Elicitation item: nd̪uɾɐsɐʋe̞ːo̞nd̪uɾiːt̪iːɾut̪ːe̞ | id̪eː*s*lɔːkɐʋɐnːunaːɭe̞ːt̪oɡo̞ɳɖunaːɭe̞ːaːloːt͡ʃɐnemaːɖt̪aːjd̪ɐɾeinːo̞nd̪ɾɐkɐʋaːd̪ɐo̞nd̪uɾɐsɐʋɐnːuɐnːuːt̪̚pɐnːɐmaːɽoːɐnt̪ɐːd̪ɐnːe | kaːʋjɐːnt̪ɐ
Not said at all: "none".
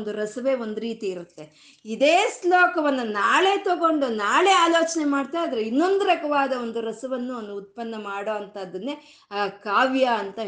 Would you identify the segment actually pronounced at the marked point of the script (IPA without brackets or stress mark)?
s